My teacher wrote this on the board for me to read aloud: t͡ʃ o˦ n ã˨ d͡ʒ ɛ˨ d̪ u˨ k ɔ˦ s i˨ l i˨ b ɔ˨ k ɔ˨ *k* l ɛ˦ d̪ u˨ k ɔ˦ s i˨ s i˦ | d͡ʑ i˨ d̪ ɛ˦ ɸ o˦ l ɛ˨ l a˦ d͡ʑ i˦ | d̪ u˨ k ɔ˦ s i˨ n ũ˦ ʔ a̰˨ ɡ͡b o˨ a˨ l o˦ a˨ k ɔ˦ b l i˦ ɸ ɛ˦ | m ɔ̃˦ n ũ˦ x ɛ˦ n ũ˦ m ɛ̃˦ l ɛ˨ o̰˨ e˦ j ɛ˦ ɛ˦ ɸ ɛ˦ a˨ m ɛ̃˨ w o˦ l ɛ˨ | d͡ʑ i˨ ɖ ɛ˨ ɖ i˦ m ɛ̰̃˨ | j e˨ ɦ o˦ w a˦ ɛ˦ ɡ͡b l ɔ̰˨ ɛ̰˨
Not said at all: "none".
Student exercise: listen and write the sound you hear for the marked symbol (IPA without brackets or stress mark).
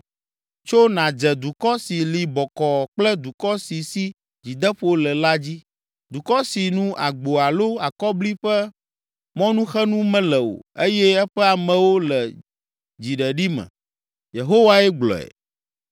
k͡p